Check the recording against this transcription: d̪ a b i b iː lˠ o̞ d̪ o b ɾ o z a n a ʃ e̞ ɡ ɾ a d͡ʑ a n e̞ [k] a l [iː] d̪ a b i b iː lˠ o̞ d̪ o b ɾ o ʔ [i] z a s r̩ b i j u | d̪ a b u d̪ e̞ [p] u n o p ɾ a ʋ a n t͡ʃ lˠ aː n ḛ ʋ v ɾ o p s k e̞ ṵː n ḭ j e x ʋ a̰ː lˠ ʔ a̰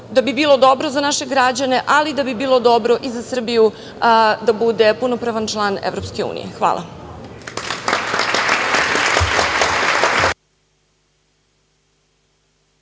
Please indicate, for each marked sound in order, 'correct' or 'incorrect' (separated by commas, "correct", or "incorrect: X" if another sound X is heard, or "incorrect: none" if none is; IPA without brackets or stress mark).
incorrect: ʔ, incorrect: i, correct, correct